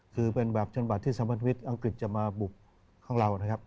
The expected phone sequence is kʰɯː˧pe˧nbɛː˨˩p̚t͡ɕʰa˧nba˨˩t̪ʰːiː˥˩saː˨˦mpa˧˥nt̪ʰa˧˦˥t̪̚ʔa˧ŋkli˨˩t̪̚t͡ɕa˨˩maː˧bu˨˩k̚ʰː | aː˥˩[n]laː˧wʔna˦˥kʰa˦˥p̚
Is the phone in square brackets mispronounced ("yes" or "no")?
yes